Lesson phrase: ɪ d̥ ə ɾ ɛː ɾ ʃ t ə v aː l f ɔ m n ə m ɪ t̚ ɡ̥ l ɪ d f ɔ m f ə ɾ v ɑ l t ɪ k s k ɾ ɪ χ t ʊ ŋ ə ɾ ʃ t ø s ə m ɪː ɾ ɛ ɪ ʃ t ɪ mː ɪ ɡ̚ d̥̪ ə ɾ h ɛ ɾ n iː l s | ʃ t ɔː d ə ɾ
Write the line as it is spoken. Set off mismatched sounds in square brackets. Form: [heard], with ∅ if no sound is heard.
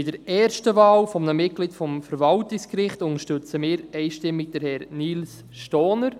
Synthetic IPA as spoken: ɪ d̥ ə ɾ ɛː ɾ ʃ t ə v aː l f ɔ m n ə m ɪ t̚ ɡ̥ l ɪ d f ɔ m f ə ɾ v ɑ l t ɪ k s k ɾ ɪ χ t ʊ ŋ ə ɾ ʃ t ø [t͡s] ə m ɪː ɾ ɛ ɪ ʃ t ɪ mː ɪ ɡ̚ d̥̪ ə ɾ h ɛ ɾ n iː l s | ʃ t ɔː [n] ə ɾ